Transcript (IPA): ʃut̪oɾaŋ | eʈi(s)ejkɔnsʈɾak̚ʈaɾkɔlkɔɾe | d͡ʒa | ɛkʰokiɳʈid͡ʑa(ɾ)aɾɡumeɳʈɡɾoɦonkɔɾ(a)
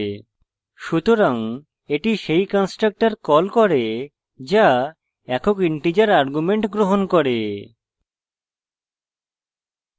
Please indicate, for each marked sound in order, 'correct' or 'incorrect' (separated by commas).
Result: incorrect, correct, incorrect